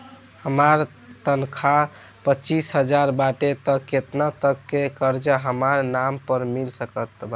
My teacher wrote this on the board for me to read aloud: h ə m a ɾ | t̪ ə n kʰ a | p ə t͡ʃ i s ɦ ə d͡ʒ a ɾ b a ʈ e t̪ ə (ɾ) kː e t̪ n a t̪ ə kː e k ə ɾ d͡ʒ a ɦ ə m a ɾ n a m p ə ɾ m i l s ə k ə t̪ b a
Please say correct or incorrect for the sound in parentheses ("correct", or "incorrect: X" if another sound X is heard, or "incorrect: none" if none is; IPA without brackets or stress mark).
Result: incorrect: none